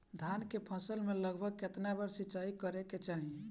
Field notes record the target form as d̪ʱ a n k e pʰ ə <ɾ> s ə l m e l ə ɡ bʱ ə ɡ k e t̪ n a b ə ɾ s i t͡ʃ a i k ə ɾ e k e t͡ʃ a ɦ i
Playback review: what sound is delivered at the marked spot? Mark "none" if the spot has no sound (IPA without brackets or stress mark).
none